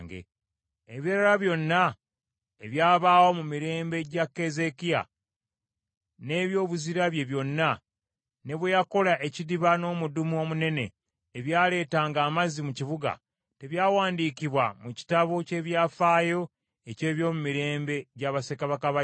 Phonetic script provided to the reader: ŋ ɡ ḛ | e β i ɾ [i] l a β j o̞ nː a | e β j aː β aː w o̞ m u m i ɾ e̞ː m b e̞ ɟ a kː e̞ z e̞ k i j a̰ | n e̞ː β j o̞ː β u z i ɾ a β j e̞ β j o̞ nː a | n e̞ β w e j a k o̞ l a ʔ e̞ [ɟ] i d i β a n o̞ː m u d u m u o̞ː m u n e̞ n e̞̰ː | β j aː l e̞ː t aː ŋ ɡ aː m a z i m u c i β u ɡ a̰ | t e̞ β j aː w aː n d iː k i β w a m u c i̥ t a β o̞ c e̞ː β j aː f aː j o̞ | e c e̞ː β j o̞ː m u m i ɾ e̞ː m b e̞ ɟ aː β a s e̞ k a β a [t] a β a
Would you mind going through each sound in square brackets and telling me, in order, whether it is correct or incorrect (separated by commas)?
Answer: incorrect, incorrect, incorrect